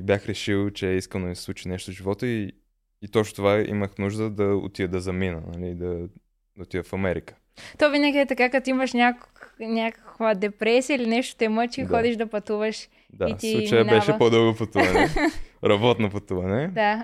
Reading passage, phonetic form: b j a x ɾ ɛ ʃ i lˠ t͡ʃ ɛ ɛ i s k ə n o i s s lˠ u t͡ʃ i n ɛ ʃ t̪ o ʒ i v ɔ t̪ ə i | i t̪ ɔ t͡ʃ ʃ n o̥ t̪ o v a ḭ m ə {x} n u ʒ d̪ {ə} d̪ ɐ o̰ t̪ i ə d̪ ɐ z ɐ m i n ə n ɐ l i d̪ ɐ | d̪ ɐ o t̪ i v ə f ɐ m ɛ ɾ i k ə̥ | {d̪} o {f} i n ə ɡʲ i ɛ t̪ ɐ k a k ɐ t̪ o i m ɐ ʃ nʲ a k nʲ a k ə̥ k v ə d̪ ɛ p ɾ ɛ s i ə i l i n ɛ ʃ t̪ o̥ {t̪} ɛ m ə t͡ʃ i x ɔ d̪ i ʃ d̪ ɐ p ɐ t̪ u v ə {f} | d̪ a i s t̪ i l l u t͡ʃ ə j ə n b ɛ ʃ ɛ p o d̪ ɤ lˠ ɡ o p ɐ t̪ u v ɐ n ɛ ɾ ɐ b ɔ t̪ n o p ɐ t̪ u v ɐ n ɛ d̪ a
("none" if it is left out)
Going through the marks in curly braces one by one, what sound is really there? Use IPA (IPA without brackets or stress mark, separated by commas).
x, ə, t̪, v, t̪, ʃ